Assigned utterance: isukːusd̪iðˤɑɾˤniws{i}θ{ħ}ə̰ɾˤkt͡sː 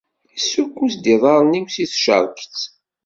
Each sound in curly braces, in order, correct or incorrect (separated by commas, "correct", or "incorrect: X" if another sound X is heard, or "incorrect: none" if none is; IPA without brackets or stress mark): correct, incorrect: ʃ